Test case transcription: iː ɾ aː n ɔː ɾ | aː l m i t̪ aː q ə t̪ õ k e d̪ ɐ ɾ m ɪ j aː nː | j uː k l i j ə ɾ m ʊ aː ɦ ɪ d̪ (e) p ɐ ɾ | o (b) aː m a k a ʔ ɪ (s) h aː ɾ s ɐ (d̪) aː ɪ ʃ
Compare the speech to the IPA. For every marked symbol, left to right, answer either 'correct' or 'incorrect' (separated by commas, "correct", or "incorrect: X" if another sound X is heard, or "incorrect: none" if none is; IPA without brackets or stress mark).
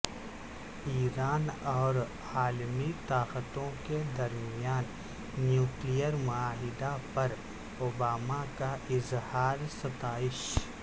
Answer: incorrect: a, correct, incorrect: z, incorrect: t̪